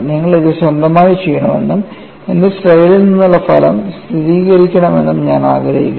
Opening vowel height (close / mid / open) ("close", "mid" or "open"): close